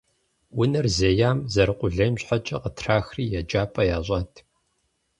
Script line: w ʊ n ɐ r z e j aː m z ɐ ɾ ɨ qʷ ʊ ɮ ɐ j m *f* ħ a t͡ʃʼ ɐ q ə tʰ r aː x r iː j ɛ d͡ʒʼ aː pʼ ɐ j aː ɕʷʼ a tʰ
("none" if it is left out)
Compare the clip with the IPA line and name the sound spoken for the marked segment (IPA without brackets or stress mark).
ɕ